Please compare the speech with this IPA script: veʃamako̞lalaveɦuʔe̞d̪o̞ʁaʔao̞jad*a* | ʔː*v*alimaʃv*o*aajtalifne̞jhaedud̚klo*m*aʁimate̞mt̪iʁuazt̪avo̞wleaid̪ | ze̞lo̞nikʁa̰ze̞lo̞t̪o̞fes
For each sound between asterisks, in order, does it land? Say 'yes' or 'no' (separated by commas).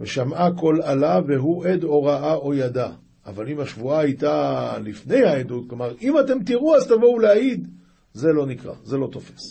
yes, yes, no, yes